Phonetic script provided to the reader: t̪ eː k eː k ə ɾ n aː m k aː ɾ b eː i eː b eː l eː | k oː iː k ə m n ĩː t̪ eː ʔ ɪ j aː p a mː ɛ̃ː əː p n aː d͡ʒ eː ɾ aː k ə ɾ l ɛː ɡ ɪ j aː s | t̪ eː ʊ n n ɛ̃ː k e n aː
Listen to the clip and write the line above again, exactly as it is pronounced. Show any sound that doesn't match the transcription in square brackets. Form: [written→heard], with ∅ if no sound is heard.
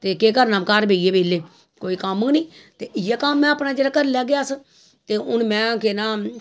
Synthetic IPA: t̪ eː k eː k ə ɾ n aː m k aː ɾ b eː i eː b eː l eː | k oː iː k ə m n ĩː t̪ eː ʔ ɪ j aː [p→k] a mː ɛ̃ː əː p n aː d͡ʒ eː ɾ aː k ə ɾ l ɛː ɡ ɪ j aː s | t̪ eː ʊ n [n→m] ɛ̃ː k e n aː